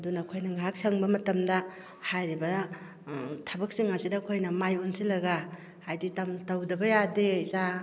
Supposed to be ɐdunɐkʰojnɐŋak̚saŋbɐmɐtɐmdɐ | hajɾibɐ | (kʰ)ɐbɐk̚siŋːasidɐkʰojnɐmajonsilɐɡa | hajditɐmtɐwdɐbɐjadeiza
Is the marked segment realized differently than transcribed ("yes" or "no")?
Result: yes